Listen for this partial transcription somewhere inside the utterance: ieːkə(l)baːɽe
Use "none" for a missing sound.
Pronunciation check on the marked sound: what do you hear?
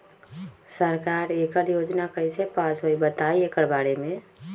ɾ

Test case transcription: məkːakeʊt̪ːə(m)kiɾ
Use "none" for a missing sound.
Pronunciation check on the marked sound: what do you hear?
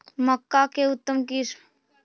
m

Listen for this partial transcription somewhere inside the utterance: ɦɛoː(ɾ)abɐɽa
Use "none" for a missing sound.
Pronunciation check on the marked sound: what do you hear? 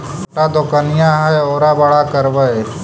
ɾ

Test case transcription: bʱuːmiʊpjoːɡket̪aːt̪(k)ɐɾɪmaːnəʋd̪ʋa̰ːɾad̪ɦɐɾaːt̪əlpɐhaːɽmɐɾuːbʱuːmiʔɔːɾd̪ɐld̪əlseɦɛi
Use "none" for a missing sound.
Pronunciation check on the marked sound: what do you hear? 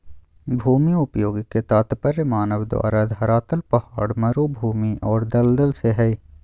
p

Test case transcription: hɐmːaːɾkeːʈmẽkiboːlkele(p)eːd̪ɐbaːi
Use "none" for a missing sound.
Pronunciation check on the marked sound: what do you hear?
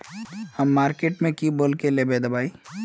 b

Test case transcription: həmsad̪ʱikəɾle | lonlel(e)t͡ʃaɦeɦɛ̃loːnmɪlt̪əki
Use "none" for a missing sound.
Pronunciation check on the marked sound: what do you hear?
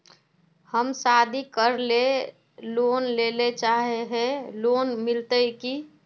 e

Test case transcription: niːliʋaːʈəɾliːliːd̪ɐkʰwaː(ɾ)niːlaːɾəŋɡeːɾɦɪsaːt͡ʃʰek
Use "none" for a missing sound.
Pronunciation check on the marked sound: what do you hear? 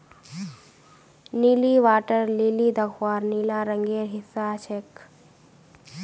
ɾ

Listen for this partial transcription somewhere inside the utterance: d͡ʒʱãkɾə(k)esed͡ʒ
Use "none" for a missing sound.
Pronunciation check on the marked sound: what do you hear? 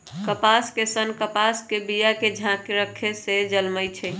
kʰ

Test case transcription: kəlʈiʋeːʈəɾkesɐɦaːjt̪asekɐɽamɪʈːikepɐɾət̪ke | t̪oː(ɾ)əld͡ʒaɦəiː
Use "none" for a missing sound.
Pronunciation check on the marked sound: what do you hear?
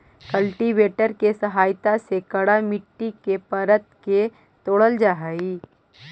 ɽ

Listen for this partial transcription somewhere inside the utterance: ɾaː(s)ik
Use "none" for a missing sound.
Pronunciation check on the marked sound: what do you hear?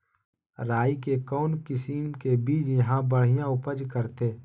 none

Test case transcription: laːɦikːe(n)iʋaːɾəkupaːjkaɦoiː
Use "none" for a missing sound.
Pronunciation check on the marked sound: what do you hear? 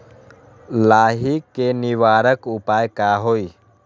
n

